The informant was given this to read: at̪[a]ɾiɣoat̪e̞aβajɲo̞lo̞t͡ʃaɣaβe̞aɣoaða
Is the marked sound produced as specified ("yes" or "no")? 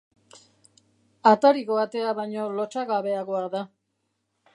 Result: yes